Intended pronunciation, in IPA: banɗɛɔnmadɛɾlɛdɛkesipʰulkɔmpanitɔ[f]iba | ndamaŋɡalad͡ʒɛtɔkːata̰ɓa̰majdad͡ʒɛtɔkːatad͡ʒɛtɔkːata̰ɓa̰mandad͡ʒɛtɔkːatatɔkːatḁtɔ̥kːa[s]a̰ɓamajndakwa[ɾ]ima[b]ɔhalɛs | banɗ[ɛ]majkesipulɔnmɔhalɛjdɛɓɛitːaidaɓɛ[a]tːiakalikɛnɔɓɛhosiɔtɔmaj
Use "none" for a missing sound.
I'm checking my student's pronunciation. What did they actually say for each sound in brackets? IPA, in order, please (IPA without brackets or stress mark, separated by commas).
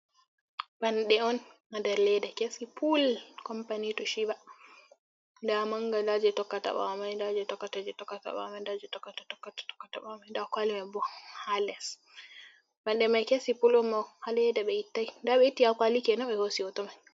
ʃ, t, l, b, ɛ, i